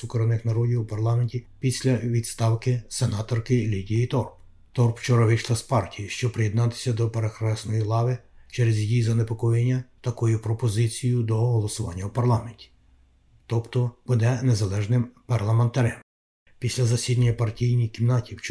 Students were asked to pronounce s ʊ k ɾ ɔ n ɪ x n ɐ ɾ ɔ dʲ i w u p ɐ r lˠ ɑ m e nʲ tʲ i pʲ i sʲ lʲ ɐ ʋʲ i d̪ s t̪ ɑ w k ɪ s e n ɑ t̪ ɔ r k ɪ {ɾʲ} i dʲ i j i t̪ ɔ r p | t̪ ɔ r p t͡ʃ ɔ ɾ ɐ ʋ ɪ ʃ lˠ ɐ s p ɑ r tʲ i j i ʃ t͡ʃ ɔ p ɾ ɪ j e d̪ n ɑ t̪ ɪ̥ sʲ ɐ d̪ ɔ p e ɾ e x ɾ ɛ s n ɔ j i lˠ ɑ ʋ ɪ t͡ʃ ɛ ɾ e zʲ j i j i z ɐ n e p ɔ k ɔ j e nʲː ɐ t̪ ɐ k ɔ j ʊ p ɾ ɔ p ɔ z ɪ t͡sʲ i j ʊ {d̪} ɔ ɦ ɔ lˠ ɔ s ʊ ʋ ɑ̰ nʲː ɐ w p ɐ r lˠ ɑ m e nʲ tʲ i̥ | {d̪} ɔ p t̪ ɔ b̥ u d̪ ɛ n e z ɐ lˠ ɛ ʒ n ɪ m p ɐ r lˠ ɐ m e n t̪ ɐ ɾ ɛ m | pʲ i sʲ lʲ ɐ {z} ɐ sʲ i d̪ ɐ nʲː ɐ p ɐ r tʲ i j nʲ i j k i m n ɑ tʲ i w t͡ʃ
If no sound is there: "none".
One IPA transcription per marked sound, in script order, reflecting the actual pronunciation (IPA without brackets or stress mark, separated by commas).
lʲ, d̪, t̪, z